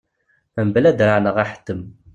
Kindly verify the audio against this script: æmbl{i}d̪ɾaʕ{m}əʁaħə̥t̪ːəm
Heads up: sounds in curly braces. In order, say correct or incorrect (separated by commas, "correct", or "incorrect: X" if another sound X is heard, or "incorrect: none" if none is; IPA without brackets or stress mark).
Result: incorrect: æ, incorrect: n